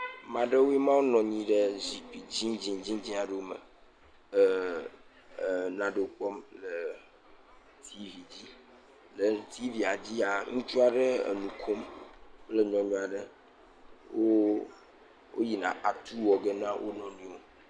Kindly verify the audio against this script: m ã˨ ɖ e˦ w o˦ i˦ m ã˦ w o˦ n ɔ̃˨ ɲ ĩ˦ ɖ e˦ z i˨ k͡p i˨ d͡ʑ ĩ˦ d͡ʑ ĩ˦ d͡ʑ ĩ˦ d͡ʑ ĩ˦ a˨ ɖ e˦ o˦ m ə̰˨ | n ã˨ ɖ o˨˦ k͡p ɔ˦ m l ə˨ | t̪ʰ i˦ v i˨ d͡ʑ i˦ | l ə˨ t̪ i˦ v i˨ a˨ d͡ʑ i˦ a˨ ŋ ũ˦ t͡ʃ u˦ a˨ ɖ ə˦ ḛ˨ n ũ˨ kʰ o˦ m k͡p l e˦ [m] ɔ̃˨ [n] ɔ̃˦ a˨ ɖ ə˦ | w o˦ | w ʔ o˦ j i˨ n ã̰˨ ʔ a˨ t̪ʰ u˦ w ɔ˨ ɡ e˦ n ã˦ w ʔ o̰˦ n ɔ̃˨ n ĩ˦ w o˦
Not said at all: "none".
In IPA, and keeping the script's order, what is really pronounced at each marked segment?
ɲ, ɲ

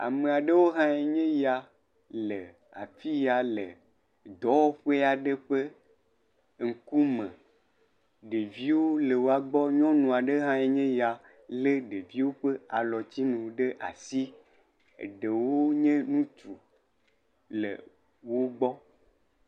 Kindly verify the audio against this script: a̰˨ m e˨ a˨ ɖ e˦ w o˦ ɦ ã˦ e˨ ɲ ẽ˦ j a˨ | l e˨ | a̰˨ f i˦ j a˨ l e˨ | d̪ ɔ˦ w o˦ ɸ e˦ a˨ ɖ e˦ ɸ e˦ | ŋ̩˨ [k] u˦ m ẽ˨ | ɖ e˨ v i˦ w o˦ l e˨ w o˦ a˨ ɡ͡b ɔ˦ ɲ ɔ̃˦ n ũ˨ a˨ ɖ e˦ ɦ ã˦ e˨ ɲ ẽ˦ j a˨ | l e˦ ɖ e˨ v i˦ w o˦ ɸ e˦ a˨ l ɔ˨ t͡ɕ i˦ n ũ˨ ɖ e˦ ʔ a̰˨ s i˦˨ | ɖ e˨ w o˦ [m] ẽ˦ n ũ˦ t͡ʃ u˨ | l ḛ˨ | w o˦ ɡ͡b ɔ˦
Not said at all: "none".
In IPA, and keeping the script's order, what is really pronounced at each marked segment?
k, ɲ

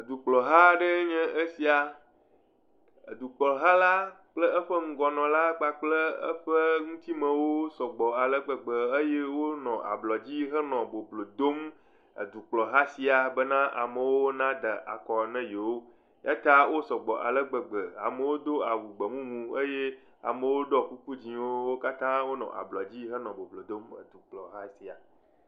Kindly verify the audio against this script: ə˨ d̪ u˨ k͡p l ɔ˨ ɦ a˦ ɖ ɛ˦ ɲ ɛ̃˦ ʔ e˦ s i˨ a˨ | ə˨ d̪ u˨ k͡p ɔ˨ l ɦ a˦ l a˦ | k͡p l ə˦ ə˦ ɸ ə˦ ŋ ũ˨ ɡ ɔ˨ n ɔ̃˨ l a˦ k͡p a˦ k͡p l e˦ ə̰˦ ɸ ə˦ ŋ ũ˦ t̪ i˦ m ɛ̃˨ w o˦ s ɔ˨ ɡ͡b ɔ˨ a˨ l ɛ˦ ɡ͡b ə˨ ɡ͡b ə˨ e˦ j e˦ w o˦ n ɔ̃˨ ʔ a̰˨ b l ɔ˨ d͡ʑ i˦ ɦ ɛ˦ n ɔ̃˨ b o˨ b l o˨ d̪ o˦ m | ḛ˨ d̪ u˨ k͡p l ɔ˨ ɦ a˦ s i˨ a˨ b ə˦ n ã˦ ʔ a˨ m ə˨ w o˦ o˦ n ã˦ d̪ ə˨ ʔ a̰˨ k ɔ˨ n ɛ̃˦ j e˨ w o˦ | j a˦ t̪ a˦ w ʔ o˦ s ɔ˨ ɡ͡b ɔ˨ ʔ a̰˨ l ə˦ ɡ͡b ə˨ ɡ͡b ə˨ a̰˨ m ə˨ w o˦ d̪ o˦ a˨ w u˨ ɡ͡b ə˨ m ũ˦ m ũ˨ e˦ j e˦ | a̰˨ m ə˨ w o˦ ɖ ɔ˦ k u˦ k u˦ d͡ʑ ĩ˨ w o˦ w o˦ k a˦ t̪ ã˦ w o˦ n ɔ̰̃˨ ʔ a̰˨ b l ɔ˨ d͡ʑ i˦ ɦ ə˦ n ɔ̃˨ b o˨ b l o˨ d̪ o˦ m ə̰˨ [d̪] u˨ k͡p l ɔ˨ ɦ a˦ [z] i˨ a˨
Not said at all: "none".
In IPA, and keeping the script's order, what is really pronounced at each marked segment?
d̪, s

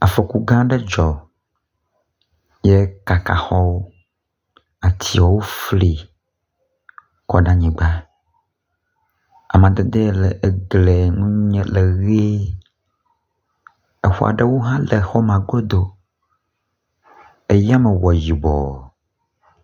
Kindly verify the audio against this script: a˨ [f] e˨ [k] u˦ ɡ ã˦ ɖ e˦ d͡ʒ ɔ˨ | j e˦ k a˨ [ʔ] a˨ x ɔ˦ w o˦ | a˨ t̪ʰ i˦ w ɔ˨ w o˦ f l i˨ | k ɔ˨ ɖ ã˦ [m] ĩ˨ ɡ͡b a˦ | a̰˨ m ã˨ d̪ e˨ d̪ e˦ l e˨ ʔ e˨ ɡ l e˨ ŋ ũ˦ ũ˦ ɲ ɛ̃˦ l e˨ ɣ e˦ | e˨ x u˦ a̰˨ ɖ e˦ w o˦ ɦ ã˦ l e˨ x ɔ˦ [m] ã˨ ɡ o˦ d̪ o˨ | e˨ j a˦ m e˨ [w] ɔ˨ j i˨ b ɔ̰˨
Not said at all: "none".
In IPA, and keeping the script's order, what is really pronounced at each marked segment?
f, k, k, ɲ, m, w

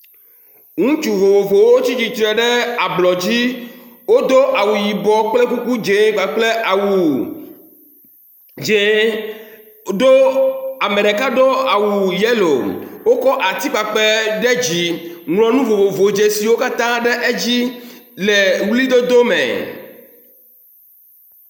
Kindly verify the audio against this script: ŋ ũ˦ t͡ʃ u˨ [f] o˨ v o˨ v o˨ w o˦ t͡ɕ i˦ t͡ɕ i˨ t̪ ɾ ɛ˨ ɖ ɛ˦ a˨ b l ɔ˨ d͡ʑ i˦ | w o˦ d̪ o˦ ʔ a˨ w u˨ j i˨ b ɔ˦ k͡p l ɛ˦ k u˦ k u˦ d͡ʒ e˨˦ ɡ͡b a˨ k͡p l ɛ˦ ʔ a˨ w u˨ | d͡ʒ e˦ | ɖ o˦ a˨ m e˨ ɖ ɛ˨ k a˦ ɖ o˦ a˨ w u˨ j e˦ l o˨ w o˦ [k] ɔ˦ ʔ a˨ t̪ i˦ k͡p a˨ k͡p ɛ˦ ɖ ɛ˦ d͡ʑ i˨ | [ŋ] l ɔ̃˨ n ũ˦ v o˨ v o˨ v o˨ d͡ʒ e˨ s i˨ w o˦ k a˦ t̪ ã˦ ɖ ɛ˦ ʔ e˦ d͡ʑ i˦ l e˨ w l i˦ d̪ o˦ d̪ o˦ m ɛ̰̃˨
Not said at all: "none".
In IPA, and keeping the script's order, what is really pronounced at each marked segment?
v, k, ŋ

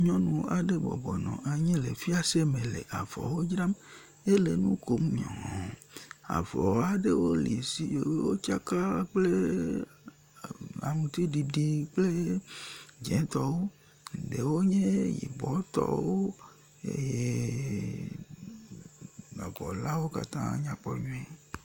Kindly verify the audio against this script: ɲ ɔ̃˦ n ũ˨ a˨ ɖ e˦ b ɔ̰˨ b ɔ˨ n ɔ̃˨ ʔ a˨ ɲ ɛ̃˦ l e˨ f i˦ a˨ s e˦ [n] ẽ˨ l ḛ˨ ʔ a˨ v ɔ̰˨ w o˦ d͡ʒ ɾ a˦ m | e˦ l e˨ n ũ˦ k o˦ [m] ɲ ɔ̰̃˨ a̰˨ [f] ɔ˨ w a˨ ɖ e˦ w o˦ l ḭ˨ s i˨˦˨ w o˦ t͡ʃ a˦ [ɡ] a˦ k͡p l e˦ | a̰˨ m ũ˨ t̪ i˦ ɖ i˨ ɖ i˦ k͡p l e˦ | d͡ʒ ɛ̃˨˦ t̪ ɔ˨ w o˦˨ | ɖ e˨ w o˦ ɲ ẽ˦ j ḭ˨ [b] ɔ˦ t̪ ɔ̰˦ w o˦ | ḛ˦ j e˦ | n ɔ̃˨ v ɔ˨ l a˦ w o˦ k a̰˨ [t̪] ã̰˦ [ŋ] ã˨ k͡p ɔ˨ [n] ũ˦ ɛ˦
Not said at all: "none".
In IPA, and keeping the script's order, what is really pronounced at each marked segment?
m, m, v, k, b, t̪, ɲ, ɲ

